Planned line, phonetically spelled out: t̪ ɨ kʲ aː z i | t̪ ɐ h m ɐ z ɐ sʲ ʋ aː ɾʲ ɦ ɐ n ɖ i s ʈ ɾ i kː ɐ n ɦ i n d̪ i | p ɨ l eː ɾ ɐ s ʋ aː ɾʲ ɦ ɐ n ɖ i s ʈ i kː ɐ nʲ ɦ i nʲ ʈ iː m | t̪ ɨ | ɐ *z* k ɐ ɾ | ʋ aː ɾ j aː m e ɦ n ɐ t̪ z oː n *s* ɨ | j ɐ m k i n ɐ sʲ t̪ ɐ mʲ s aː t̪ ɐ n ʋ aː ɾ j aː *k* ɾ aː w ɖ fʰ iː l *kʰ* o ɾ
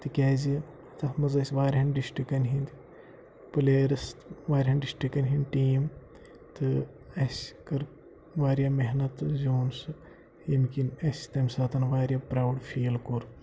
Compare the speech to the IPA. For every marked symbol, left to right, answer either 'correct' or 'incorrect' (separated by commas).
incorrect, correct, incorrect, incorrect